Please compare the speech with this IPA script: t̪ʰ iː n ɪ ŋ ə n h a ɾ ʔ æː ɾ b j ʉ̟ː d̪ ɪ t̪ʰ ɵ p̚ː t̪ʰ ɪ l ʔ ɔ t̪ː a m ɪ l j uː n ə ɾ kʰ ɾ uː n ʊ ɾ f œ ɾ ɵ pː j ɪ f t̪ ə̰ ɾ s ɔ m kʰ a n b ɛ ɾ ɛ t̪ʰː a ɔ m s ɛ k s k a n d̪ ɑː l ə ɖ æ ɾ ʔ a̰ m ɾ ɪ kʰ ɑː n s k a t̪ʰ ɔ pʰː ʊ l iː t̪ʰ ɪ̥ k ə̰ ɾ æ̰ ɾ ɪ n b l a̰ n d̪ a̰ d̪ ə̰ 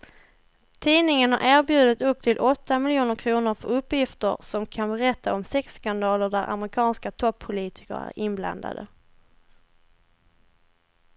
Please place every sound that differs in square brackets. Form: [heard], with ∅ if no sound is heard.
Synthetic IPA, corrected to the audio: t̪ʰ iː n ɪ ŋ ə n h a ɾ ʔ æː ɾ b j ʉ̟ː d̪ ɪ [t̪] ɵ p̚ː t̪ʰ ɪ l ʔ ɔ t̪ː a m ɪ l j uː n ə ɾ kʰ ɾ uː n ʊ ɾ f œ ɾ ɵ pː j ɪ f t̪ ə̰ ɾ s ɔ m kʰ a n b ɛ ɾ ɛ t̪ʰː a ɔ m s ɛ k s k a n d̪ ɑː l ə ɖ æ ɾ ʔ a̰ m ɾ ɪ kʰ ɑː n s k a t̪ʰ ɔ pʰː ʊ l iː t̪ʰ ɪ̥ k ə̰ ɾ æ̰ ɾ ɪ n b l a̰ n d̪ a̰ d̪ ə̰